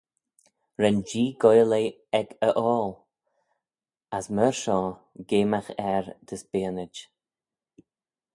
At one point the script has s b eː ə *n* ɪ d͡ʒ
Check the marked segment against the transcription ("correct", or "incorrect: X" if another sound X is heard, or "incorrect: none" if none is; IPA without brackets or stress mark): correct